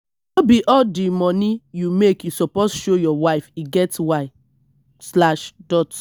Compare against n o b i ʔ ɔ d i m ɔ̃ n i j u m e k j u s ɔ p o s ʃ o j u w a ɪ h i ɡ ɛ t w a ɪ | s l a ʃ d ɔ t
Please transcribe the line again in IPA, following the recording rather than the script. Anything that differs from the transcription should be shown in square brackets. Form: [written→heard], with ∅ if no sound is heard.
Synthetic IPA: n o b i ʔ ɔ d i m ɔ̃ n i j u m e k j u s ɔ p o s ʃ o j [u→ɔ] w a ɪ [h→f] i ɡ ɛ t w a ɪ | s l a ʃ d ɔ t